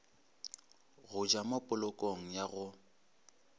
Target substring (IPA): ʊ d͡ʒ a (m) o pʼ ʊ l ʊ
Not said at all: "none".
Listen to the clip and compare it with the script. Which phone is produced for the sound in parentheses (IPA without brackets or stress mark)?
m